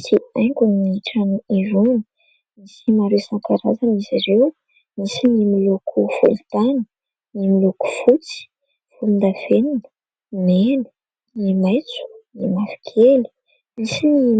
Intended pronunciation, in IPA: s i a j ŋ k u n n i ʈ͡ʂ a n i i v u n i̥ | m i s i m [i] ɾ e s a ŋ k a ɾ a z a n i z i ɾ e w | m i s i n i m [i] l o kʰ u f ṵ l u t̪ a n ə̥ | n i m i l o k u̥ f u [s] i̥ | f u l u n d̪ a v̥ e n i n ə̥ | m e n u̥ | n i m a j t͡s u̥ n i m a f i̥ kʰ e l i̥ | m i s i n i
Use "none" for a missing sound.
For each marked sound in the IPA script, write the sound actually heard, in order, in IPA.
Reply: a, i, t͡s

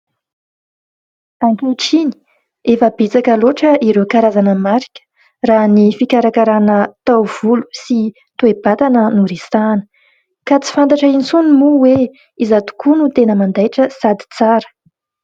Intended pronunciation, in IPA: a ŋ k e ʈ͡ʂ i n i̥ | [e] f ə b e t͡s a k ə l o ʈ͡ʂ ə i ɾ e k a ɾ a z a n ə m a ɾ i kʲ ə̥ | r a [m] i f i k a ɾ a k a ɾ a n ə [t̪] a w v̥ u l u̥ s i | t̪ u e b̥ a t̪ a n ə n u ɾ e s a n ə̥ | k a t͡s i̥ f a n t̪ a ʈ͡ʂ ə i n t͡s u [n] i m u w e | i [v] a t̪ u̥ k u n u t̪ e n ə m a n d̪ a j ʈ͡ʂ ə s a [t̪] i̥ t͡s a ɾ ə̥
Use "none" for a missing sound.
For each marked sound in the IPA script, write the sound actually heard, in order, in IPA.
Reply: e, n, t̪, n, z, d̪

